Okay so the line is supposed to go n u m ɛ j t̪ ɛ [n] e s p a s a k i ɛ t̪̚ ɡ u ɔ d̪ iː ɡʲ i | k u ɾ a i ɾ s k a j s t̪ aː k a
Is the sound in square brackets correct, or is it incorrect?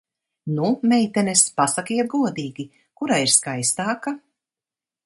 correct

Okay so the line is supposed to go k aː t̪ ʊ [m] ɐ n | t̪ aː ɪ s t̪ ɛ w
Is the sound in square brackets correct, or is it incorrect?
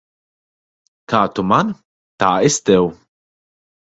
correct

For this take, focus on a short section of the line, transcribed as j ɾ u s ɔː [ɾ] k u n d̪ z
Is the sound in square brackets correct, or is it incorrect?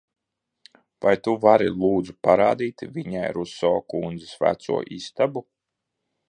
incorrect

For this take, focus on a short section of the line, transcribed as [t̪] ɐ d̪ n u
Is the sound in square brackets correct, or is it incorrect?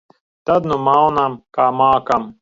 correct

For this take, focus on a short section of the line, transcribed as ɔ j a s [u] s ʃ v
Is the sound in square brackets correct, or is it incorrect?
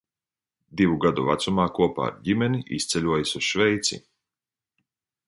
correct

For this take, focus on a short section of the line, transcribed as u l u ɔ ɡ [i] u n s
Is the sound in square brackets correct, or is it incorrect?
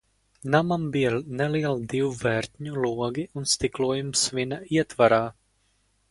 correct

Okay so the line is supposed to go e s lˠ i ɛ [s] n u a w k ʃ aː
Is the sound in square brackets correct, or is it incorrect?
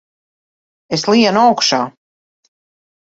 incorrect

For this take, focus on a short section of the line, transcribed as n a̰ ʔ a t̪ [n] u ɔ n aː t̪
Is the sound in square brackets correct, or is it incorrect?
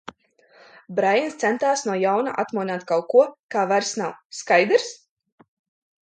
incorrect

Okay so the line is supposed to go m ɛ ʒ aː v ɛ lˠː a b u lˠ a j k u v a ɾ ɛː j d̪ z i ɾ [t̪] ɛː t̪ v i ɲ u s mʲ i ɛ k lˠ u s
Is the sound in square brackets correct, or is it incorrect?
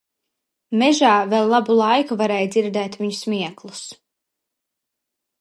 incorrect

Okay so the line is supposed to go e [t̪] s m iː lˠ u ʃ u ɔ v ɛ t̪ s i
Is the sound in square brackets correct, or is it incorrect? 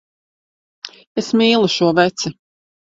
incorrect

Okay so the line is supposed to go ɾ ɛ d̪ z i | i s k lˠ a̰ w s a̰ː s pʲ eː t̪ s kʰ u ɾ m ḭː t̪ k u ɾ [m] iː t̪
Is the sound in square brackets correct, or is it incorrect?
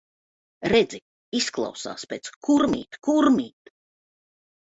correct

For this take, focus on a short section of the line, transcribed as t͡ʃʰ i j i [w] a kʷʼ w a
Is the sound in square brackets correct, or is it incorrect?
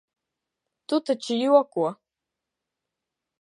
correct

